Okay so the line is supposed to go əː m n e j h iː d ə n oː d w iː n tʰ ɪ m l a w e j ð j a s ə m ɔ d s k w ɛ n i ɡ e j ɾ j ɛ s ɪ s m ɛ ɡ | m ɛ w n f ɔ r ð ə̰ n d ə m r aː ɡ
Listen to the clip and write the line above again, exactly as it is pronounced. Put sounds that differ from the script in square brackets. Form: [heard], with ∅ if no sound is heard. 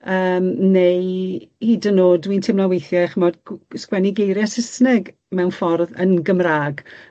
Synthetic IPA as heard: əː m n e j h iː d ə n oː d w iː n tʰ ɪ m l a w e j [θ] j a [χ] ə m ɔ d s k w ɛ n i ɡ e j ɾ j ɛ s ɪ s [n] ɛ ɡ | m ɛ w n f ɔ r ð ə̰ n [ɡ] ə m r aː ɡ